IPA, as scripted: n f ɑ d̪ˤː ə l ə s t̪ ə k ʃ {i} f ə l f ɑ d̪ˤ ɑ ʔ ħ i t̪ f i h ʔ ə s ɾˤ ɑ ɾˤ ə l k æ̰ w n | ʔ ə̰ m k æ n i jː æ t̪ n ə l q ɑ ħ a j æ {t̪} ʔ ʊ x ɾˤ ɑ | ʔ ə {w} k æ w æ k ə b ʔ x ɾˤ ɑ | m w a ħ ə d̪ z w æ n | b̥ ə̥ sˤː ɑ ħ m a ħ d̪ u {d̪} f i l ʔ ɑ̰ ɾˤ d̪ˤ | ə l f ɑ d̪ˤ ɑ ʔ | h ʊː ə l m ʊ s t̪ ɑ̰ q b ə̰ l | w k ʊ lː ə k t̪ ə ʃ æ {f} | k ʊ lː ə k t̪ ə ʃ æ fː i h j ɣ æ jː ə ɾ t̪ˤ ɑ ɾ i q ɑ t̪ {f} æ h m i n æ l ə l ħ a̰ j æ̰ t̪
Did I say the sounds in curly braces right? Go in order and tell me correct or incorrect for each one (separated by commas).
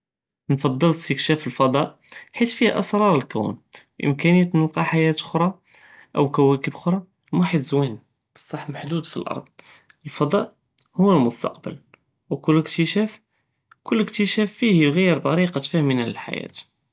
incorrect, correct, correct, correct, correct, correct